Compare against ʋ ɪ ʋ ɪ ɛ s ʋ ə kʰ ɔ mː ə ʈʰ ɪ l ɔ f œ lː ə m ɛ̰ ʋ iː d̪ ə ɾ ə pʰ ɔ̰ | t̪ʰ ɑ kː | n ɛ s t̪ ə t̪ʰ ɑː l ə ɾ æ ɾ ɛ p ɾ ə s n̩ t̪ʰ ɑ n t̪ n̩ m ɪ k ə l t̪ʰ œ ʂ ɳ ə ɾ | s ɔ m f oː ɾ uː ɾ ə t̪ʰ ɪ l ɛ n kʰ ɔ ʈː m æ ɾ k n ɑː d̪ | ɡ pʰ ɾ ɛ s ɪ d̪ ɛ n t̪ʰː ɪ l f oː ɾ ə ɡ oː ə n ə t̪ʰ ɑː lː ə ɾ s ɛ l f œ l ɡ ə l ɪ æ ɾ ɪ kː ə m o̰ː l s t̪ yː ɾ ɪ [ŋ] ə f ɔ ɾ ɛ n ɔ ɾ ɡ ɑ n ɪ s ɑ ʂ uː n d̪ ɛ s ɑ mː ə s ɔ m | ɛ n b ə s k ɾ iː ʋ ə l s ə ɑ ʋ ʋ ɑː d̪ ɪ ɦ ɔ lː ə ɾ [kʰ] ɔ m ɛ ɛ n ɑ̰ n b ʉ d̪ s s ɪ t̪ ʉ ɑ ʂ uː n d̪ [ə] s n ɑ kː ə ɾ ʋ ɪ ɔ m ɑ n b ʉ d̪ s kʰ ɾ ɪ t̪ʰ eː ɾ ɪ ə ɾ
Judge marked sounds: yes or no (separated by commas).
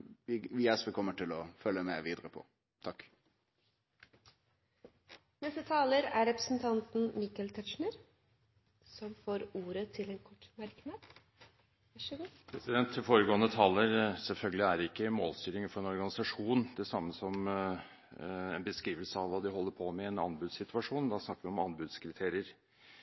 yes, no, no